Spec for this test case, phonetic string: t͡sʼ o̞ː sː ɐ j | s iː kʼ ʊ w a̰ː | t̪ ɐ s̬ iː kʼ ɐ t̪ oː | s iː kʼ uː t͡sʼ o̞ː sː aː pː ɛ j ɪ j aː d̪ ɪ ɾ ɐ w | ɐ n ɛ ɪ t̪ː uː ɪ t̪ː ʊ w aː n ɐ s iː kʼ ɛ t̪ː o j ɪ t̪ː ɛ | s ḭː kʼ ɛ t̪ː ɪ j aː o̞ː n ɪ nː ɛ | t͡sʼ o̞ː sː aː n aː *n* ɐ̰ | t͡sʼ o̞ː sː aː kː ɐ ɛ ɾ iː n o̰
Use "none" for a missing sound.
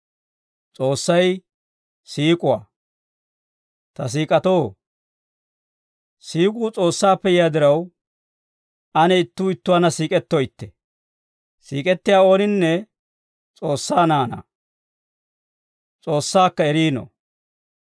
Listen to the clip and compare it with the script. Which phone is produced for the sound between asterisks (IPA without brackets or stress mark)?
n